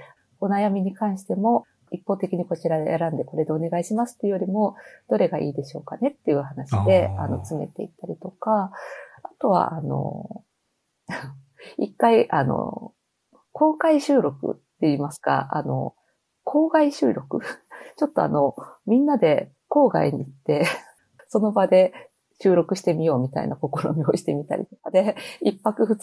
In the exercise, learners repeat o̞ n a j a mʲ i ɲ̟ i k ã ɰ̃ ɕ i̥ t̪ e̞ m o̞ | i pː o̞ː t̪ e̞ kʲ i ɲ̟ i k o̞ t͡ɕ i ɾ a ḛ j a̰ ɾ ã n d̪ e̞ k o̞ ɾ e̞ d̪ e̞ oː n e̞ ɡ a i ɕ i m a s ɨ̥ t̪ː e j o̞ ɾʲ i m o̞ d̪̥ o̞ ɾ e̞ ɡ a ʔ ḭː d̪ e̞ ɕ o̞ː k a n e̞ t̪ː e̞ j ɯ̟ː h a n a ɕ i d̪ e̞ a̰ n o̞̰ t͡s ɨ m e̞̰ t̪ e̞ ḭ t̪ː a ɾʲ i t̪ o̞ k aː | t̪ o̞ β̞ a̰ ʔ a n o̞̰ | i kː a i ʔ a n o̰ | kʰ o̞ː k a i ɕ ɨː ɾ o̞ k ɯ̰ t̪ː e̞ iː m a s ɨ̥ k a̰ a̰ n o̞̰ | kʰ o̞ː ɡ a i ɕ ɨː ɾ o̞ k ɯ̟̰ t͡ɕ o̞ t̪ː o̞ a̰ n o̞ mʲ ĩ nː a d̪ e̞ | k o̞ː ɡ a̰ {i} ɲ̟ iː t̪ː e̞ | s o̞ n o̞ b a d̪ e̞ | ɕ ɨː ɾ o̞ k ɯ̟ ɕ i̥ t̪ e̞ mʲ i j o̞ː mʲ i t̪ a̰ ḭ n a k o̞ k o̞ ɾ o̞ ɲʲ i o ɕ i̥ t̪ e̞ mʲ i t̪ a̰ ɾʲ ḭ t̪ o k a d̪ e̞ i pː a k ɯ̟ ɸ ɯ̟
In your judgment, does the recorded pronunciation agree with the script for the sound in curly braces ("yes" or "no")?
yes